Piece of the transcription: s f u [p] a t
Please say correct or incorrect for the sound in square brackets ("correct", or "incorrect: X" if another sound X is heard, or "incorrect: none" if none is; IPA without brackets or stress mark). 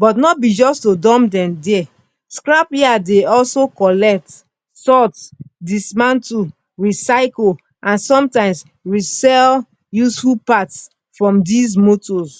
correct